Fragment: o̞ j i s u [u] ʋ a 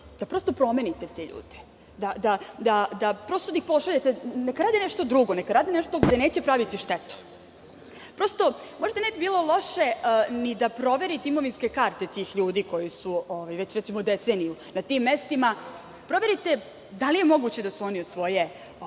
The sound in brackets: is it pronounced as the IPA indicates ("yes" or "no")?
no